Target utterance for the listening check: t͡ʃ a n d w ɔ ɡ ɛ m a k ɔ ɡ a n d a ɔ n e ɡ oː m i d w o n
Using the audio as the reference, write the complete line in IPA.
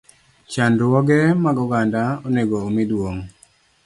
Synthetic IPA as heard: t͡ʃ a n d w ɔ ɡ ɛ m a ɡ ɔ ɡ a n d a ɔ n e ɡ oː m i d w o ŋ